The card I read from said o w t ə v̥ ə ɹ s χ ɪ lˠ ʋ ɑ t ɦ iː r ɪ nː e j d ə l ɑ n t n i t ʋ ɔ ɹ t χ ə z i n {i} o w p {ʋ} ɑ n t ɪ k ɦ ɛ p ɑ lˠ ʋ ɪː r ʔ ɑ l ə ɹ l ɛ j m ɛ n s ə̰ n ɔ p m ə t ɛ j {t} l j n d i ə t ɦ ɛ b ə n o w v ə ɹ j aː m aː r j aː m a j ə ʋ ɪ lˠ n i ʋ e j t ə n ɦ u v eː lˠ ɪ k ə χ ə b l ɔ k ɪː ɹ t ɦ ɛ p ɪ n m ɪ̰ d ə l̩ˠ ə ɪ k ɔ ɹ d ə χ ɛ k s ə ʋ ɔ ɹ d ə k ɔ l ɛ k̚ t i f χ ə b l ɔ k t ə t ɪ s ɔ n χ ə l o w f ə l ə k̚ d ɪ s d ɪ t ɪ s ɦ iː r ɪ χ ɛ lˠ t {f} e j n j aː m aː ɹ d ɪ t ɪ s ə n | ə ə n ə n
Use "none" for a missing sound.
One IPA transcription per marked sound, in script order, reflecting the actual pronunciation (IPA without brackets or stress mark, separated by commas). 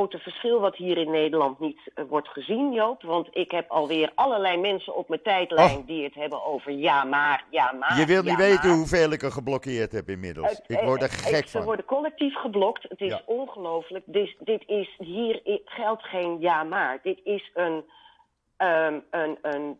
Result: j, ʋ, t, χ